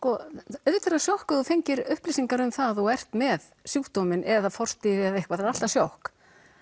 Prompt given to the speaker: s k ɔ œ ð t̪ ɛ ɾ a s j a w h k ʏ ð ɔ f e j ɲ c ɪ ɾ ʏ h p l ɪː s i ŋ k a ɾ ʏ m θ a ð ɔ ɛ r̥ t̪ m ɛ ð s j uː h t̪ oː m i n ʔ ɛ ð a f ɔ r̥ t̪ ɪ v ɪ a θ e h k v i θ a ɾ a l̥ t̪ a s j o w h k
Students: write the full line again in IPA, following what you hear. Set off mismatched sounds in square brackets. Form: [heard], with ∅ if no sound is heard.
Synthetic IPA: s k ɔ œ ð t̪ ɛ ɾ a s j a w h k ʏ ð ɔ f e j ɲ c ɪ ɾ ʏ h p l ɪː s i ŋ k a ɾ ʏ m θ a ð ɔ ɛ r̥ t̪ m ɛ ð s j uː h t̪ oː m [ɪ] n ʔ ɛ ð a f ɔ r̥ t̪ ɪ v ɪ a [ð] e h k v [a] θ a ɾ a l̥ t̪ a s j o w h k